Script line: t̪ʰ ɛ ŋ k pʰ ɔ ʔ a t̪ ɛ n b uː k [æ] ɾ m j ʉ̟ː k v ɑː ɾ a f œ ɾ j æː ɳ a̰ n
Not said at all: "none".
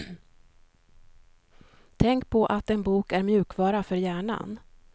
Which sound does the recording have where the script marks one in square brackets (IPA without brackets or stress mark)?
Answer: æ